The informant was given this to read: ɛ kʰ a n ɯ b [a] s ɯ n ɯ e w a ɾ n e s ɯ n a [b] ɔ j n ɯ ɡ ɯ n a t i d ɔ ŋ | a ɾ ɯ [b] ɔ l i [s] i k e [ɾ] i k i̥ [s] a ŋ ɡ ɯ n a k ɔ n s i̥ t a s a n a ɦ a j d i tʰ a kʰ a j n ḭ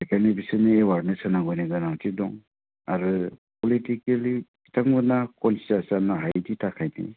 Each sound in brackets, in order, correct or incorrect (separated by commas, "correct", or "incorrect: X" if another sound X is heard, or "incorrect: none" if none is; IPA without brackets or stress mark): incorrect: i, incorrect: ɡ, incorrect: p, incorrect: t, incorrect: l, incorrect: t